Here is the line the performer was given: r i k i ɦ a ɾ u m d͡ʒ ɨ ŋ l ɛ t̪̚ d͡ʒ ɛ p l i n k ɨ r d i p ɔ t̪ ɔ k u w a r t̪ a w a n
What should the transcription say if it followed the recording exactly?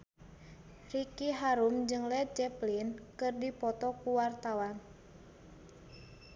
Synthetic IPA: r i k i ɦ a ɾ u m d͡ʒ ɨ ŋ l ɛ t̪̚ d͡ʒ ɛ p l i n k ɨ r d i p ɔ t̪ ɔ k u w a r t̪ a w a n